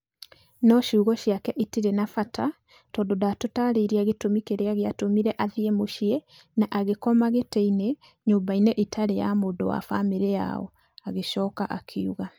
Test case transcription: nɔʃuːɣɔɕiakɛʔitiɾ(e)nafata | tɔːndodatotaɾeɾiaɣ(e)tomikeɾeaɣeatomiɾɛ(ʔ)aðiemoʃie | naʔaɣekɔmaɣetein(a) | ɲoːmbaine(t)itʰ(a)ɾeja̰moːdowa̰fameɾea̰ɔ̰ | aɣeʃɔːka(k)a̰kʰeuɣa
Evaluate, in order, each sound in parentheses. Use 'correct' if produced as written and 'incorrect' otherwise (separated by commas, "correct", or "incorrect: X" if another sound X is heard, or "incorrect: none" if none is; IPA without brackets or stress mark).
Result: correct, correct, correct, incorrect: e, incorrect: ʔ, correct, incorrect: ʔ